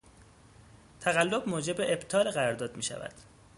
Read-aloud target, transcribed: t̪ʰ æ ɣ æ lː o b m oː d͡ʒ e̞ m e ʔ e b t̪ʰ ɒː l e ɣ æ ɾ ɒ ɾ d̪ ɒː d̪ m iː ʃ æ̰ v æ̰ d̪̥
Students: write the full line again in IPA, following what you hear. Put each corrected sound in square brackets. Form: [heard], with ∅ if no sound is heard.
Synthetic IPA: t̪ʰ æ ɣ æ lː o b m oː d͡ʒ e̞ [b] e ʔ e b t̪ʰ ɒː l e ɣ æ ɾ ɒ ɾ d̪ ɒː d̪ m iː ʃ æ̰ v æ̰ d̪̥